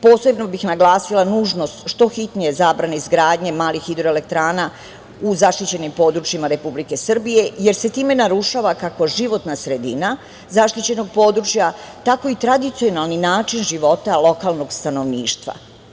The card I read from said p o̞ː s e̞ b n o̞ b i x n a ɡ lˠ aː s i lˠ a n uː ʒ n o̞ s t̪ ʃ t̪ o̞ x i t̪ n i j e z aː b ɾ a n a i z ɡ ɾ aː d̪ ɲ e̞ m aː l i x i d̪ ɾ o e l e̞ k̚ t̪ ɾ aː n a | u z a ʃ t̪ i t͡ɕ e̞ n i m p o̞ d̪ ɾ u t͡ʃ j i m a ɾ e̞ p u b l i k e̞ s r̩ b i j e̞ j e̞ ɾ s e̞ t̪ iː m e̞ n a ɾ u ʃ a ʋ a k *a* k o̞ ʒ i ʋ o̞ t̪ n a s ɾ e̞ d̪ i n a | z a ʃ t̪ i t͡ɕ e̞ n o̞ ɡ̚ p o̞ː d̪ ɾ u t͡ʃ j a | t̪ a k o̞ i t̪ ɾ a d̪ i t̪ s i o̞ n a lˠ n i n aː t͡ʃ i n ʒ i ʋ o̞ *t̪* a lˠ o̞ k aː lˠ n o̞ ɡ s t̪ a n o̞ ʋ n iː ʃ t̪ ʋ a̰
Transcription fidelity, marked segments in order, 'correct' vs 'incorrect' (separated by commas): correct, correct